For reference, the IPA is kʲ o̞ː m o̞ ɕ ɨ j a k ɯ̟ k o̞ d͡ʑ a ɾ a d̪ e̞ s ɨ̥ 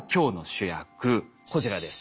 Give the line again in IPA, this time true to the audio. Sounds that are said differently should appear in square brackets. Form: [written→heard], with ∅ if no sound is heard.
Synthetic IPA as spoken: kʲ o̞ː [m→n] o̞ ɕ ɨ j a k ɯ̟ k o̞ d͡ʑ [a→i] ɾ a d̪ e̞ s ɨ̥